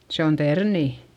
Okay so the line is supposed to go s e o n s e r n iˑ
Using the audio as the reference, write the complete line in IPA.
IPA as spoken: s e o n t e r n iˑ